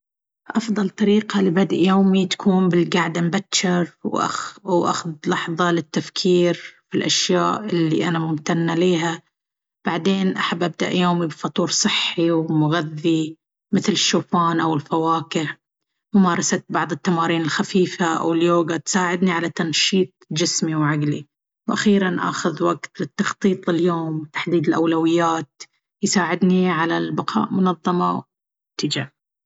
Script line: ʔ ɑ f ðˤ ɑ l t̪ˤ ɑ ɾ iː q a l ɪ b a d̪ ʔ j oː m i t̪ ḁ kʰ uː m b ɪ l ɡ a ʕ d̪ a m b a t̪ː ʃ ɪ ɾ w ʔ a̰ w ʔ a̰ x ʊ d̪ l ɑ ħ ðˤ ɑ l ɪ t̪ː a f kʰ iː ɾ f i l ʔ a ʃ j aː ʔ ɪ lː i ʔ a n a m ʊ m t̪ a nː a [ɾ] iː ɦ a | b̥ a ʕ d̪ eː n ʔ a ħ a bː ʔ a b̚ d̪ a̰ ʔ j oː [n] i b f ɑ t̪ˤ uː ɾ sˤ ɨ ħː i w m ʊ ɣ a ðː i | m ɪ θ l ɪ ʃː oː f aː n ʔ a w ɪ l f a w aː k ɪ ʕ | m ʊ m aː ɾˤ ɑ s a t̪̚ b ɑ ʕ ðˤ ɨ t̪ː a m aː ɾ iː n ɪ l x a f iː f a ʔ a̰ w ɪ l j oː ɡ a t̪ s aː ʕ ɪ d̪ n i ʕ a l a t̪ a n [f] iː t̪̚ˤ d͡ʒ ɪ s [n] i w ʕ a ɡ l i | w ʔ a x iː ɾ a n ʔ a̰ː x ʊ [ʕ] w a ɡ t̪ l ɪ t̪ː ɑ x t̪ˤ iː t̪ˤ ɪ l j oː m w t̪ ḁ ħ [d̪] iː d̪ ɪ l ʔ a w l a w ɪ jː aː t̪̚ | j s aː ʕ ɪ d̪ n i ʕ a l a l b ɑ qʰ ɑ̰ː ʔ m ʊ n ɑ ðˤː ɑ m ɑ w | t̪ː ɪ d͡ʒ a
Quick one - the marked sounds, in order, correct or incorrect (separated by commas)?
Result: incorrect, incorrect, incorrect, incorrect, incorrect, correct